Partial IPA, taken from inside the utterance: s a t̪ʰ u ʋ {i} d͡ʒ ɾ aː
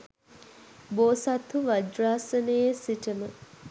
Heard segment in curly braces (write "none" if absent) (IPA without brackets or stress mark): a